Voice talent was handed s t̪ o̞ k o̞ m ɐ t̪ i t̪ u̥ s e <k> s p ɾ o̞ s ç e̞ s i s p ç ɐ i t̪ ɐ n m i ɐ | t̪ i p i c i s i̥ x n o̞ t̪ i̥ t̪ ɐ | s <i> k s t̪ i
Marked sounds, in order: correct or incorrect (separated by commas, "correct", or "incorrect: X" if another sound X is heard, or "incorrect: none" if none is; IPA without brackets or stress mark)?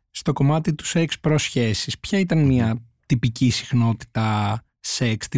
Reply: correct, incorrect: e